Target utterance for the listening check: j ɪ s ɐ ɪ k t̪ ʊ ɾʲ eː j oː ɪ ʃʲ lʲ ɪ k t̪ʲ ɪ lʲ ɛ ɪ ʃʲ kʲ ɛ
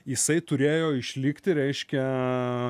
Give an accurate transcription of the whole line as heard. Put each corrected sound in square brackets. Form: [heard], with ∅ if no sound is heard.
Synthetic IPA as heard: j ɪ s ɐ ɪ [∅] t̪ ʊ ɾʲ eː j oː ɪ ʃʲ lʲ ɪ k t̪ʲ ɪ [ɾʲ] ɛ ɪ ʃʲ kʲ ɛ